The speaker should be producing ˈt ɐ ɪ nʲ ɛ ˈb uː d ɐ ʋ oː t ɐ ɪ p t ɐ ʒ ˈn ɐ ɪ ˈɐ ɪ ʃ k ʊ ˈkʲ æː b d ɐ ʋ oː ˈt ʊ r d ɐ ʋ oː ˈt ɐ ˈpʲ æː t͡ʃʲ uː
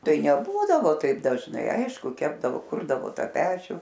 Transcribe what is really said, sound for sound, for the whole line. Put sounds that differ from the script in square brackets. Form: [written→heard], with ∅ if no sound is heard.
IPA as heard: ˈt ɐ ɪ nʲ ɛ ˈb uː d ɐ ʋ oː t ɐ ɪ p [t→d] ɐ ʒ ˈn ɐ ɪ ˈɐ ɪ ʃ k ʊ ˈkʲ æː b d ɐ ʋ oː [ˈt→ˈk] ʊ r d ɐ ʋ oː ˈt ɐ ˈpʲ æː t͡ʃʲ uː